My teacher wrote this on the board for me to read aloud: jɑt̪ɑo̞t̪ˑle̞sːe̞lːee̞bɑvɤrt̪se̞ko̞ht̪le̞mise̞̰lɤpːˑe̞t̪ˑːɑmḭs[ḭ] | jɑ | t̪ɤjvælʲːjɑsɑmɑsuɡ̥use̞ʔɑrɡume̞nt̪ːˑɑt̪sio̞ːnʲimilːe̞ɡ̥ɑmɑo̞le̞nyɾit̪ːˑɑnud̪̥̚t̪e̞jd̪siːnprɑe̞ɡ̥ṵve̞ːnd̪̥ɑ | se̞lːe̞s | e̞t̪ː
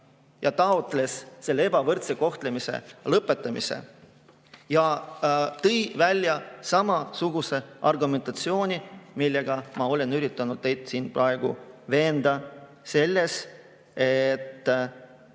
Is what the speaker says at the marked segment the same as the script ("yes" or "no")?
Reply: no